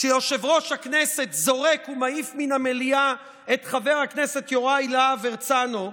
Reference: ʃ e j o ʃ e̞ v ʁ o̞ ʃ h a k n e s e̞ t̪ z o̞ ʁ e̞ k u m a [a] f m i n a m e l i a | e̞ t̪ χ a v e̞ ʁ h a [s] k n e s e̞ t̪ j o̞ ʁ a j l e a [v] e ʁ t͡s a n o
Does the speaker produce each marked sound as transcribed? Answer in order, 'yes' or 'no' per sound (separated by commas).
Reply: no, no, yes